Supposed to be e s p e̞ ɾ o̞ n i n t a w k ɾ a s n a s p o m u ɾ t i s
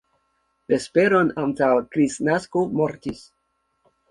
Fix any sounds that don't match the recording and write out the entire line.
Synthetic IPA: e s p e̞ ɾ o̞ n a n t a w k ɾ i s n a s k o m o ɾ t i s